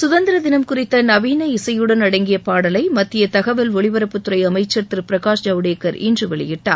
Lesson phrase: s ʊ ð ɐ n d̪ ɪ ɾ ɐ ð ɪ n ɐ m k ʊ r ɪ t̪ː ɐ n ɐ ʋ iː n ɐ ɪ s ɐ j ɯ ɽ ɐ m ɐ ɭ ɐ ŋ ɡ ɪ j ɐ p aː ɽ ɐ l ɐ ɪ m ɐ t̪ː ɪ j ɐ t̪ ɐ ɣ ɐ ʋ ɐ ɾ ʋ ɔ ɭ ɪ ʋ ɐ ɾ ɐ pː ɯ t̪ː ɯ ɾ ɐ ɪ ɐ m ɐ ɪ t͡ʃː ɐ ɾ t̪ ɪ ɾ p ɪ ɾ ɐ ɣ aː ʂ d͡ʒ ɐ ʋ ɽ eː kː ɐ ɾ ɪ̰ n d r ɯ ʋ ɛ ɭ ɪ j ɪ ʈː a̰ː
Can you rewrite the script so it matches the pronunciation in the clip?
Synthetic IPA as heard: s ʊ ð ɐ n d̪ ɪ ɾ ɐ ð ɪ n ɐ m k ʊ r ɪ t̪ː ɐ n ɐ ʋ iː n ɐ ɪ s ɐ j ɯ ɽ ɐ n ɐ ɽ ɐ ŋ ɡ ɪ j ɐ p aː ɽ ɐ l ɐ ɪ m ɐ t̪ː ɪ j ɐ t̪ ɐ ɣ ɐ ʋ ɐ l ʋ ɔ ɭ ɪ ʋ ɐ ɾ ɐ pː ɯ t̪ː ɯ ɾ ɐ ɪ ɐ m ɐ ɪ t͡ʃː ɐ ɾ t̪ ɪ ɾ p ɪ ɾ ɐ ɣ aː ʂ d͡ʒ ɐ ʋ ɽ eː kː ɐ ɾ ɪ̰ n d r ɯ ʋ ɛ ɭ ɪ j ɪ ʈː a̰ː

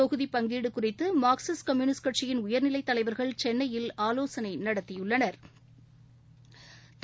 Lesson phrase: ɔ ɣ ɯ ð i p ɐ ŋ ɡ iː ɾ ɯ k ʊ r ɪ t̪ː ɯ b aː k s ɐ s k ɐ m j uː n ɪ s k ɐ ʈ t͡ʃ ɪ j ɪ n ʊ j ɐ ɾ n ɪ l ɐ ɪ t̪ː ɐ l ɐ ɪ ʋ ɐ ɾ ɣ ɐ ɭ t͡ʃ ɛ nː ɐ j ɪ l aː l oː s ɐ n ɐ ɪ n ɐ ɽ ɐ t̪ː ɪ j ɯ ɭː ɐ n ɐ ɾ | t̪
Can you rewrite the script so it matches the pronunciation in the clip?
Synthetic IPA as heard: ɔ ɣ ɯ ð i p ɐ ŋ ɡ iː ɽ ɯ k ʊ r ɪ t̪ː ɯ m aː k s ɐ s k ɐ m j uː n ɪ s k ɐ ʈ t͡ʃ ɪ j ɪ n ʊ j ɐ ɾ n ɪ l ɐ ɪ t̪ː ɐ l ɐ ɪ ʋ ɐ ɾ ɣ ɐ ɭ t͡ʃ ɛ nː ɐ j ɪ l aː l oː s ɐ n ɐ ɪ n ɐ ɽ ɐ t̪ː ɪ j ɯ ɭː ɐ n ɐ ɾ | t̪

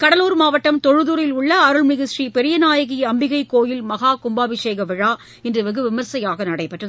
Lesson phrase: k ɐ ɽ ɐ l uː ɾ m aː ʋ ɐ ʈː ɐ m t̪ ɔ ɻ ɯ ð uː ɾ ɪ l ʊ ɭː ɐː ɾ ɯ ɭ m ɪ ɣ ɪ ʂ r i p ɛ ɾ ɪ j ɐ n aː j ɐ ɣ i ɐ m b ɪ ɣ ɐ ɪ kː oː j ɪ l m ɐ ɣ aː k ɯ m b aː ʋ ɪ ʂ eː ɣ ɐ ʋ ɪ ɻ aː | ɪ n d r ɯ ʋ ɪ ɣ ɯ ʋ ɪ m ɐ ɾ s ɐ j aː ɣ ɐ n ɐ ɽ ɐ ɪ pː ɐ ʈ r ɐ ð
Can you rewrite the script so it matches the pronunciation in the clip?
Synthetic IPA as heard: k ɐ ɽ ɐ l uː ɾ m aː ʋ ɐ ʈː ɐ m t̪ ɔ ɻ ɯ ð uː ɾ ɪ l ʊ ɭː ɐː ɾ ɯ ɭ m ɪ ɣ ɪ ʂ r i p ɛ ɾ ɪ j ɐ n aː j ɐ ɣ i ɐ m b ɪ ɣ ɐ ɪ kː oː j ɪ l m ɐ ɣ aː k ʊ m b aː ʋ ɪ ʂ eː ɣ ɐ ʋ ɪ ɻ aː | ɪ n d r ɯ ʋ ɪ ɣ ɯ ʋ ɪ m ɐ ɾ s ɐ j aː ɣ ɐ n ɐ ɽ ɐ ɪ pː ɐ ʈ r ɐ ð

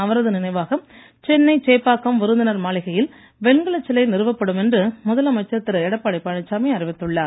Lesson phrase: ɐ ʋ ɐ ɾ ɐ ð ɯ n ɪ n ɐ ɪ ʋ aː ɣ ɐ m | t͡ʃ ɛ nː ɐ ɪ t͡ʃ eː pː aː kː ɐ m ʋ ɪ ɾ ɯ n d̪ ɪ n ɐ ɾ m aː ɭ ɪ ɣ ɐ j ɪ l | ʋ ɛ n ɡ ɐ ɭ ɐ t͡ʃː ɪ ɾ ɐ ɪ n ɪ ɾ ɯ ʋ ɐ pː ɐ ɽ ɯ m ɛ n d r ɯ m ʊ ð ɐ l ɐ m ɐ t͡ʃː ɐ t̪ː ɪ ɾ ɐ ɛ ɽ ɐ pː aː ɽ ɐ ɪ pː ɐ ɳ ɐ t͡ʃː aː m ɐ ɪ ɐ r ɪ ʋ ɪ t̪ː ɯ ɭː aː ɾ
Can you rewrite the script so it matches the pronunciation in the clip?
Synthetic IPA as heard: ɐ ʋ ɐ ɾ ɐ ð ɯ n ɪ n ɐ ɪ ʋ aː ɣ ɐ m | t͡ʃ ɛ nː ɐ ɪ t͡ʃ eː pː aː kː ɐ m ʋ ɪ ɾ ɯ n d̪ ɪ n ɐ ɾ m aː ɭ ɪ ɣ ɐ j ɪ l | ʋ ɛ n ɡ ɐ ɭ ɐ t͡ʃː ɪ l ɐ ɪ n ɪ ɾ ɯ ʋ ɐ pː ɐ ɽ ɯ m ɛ n d r ɯ m ʊ ð ɐ l ɐ m ɐ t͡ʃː ɐ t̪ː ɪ ɾ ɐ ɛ ɽ ɐ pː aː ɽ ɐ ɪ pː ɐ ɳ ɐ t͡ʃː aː m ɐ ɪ ɐ r ɪ ʋ ɪ t̪ː ɯ ɭː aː ɾ

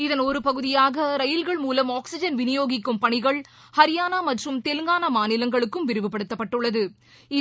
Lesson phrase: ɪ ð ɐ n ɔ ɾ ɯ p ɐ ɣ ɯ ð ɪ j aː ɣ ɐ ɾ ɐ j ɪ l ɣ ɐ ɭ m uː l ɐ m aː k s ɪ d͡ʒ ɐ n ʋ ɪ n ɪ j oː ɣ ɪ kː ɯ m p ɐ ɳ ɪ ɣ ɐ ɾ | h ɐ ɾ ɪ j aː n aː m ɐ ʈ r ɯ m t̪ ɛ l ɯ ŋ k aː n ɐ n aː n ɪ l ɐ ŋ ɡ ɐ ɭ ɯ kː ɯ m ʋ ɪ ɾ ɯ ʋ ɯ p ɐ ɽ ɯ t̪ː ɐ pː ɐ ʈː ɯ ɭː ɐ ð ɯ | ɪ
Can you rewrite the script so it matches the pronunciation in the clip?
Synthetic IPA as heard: ɪ ð ɐ n ɔ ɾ ɯ p ɐ ɣ ɯ ð ɪ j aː ɣ ɐ ɾ ɐ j ɪ l ɣ ɐ ɭ m uː l ɐ m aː k s ɪ d͡ʒ ɐ n ʋ ɪ n ɪ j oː ɣ ɪ kː ɯ m p ɐ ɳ ɪ ɣ ɐ ɭ | h ɐ ɾ ɪ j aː n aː m ɐ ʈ r ɯ m t̪ ɛ l ɯ ŋ ɡ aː n ɐ m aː n ɪ l ɐ ŋ ɡ ɐ ɭ ɯ kː ɯ m ʋ ɪ ɾ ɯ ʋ ɯ p ɐ ɽ ɯ t̪ː ɐ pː ɐ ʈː ɯ ɭː ɐ ð ɯ | ɪ

